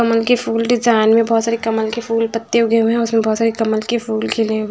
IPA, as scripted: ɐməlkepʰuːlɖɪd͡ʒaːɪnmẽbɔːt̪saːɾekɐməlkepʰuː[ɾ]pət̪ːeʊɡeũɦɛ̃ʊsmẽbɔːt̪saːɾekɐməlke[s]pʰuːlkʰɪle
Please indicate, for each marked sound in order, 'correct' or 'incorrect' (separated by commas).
incorrect, incorrect